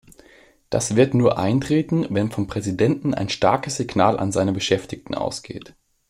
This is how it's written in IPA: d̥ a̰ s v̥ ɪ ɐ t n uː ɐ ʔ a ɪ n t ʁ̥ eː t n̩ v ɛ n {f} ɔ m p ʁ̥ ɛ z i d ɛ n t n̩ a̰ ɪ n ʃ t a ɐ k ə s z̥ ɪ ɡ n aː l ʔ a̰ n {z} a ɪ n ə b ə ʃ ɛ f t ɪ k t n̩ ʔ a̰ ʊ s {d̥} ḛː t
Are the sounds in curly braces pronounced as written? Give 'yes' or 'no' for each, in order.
yes, yes, no

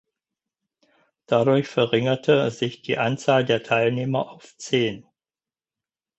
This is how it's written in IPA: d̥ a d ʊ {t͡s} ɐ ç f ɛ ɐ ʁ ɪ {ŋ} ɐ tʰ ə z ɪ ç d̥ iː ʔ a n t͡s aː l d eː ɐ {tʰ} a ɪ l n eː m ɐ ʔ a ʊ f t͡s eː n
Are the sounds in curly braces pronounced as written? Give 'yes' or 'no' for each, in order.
no, yes, yes

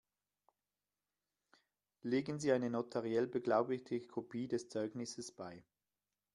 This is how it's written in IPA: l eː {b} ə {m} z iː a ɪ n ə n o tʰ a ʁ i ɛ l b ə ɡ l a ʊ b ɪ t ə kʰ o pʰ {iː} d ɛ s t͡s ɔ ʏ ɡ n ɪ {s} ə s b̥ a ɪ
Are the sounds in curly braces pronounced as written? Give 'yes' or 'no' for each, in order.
no, no, yes, yes

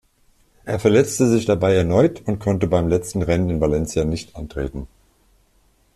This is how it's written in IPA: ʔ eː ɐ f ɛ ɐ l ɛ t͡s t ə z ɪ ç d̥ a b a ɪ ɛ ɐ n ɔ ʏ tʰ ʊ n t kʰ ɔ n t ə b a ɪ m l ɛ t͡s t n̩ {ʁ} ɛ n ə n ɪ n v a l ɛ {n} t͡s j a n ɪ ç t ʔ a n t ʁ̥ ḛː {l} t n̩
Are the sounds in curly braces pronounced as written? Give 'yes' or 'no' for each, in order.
yes, yes, no

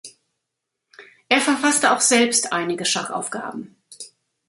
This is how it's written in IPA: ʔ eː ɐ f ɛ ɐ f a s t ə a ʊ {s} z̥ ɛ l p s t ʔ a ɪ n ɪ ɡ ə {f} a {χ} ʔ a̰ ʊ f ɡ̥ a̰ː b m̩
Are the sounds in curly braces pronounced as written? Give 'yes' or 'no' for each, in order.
no, no, yes

